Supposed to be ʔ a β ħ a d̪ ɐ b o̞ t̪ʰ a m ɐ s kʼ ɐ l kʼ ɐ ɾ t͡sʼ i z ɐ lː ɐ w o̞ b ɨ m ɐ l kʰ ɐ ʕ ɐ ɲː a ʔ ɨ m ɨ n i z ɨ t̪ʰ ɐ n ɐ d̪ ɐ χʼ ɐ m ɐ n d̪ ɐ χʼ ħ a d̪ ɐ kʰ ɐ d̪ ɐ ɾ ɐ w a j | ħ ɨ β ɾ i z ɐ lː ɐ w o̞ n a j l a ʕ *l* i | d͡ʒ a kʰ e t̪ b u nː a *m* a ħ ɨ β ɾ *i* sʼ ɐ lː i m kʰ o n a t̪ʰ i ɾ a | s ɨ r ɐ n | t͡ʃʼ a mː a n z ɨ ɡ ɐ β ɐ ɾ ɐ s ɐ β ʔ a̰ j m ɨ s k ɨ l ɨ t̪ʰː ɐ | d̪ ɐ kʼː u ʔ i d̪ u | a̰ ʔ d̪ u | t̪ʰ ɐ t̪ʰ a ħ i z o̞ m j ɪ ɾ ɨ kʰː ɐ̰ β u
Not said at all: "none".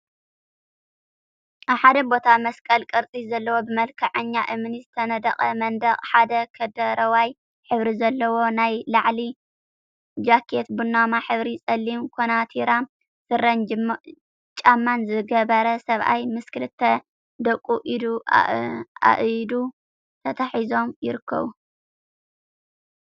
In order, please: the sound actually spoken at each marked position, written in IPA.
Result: l, m, i

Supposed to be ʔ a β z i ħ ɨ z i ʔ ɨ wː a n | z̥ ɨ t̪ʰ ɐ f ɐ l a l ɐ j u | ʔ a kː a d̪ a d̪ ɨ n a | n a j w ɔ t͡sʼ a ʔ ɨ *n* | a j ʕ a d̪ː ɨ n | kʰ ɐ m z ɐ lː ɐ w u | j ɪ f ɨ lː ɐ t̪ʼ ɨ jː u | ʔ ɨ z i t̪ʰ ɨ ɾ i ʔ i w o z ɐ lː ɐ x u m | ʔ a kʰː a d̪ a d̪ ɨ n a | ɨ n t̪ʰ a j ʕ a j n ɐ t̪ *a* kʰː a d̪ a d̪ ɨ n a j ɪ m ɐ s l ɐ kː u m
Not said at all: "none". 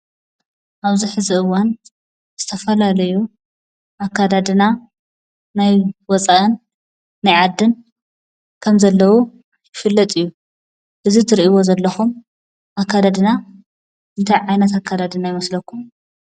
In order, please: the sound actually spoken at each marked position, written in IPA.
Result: nː, a

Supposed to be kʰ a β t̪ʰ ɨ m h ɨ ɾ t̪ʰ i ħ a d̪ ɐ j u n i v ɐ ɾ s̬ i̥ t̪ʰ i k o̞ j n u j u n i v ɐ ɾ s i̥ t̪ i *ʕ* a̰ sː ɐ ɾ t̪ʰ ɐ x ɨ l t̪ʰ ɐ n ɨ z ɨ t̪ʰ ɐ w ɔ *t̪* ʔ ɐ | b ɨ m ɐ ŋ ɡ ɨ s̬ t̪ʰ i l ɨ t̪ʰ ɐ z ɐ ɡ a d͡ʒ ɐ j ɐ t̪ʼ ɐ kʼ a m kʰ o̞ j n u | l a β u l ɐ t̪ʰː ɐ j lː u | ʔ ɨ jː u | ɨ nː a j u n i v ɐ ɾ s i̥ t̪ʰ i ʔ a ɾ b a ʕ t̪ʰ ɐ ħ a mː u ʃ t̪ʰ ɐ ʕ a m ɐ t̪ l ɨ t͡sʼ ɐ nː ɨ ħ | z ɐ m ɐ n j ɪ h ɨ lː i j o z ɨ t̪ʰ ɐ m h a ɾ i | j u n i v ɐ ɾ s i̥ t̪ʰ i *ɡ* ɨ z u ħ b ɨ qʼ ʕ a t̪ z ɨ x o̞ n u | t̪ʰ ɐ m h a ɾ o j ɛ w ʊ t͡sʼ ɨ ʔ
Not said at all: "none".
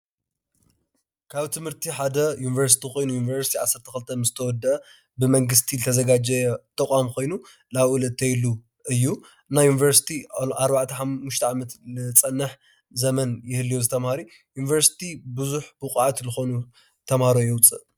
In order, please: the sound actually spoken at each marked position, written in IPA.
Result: ʕ, d̪, b

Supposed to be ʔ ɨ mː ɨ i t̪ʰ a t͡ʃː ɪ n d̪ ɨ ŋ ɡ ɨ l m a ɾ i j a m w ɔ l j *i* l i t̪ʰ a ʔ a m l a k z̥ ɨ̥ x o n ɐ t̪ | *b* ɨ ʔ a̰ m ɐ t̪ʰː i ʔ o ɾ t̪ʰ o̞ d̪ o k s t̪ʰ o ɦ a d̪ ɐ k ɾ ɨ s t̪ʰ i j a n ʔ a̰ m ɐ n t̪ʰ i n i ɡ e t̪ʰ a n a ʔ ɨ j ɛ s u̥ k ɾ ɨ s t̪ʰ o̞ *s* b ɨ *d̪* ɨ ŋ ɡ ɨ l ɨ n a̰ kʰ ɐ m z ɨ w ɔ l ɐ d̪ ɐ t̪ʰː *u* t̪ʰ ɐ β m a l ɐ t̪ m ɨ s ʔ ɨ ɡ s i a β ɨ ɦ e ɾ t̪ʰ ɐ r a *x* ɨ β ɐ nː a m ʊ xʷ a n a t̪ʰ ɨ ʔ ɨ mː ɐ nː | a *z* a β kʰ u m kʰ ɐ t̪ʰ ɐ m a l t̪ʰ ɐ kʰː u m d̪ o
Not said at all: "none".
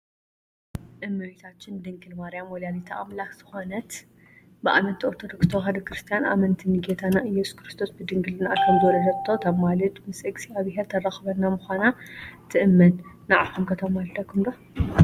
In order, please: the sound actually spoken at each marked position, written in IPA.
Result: a, b, s, d̪, o, x, ʕ

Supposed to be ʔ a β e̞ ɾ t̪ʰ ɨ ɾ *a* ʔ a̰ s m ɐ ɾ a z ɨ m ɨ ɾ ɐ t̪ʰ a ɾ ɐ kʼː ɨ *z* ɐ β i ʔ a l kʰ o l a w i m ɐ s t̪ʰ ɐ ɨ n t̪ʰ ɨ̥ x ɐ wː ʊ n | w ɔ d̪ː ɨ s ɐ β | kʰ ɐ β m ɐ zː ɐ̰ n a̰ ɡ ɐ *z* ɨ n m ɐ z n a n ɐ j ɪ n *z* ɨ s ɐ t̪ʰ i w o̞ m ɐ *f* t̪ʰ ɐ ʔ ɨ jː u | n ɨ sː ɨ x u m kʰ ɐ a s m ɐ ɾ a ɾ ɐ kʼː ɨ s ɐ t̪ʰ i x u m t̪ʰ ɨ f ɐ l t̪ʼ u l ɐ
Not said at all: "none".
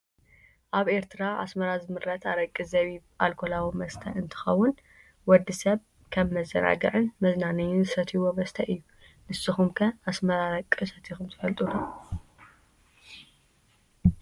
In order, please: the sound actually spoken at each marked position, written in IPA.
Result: a, z, ʕ, z, s

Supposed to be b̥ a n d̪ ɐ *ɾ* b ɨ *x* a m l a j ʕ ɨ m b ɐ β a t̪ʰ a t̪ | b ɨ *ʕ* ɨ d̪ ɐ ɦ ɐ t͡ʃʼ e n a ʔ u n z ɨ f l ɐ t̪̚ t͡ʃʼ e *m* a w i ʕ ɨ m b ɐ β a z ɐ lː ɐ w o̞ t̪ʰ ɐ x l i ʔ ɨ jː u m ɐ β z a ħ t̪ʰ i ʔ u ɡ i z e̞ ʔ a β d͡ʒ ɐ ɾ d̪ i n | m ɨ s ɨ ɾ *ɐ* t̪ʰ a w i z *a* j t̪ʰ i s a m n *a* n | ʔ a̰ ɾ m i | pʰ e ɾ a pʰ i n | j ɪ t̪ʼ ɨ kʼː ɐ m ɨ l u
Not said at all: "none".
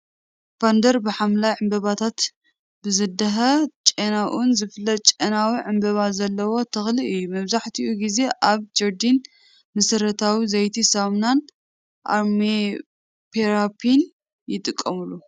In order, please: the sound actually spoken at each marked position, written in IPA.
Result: ɾ, ħ, z, n, ɐ, ɐ, a

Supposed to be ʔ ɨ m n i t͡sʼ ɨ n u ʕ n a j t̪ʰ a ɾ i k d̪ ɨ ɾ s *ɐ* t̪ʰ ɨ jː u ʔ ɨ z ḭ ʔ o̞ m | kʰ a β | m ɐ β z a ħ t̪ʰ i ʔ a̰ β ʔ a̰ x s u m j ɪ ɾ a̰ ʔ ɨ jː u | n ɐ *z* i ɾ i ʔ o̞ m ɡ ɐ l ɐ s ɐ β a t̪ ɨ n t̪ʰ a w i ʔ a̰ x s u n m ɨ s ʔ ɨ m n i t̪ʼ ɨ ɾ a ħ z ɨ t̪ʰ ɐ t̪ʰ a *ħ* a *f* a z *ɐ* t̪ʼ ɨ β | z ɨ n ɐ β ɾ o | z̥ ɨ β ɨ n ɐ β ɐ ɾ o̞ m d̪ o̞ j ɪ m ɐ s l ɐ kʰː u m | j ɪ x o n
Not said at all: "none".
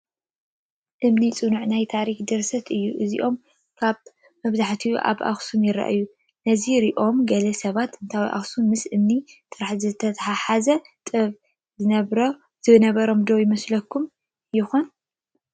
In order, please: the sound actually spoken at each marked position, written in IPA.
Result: ɐ, z, ħ, ħ, ɐ

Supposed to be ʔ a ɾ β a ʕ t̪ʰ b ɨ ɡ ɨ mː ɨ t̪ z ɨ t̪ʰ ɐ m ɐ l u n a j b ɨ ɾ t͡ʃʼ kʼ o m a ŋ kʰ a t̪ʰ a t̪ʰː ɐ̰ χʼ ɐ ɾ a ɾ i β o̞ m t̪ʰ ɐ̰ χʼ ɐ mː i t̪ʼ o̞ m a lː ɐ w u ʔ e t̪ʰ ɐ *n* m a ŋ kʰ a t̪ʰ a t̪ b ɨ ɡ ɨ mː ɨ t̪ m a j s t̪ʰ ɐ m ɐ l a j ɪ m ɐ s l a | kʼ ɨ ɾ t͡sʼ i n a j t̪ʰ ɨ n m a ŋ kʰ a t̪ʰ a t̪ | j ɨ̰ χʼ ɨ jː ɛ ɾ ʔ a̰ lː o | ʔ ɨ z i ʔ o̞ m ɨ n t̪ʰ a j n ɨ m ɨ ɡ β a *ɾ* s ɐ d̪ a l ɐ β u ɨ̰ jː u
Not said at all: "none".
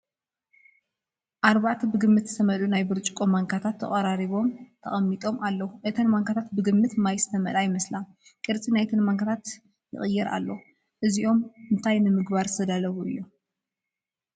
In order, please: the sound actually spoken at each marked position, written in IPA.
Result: n, ɾ

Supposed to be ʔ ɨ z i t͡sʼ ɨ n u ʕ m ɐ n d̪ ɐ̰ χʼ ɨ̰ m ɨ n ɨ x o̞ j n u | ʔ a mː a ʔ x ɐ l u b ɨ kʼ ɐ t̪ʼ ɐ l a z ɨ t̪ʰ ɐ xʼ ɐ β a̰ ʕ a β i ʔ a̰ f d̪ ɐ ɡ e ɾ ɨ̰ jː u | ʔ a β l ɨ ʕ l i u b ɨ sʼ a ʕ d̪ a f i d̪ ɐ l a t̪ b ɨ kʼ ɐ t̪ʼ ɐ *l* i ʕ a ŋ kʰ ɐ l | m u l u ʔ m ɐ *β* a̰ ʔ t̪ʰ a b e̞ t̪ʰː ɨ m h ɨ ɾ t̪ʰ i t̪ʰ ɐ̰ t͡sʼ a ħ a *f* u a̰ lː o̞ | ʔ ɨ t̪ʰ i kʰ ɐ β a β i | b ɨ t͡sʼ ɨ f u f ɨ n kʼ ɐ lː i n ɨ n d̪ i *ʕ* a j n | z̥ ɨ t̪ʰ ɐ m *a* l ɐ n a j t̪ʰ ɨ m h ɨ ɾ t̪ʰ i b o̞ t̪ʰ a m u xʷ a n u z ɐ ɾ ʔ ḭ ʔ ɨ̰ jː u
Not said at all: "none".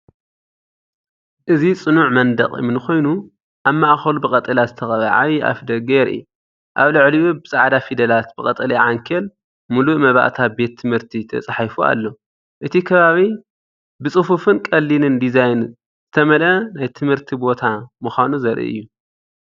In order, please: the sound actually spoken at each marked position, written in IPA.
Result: l, β, f, z, ɐ

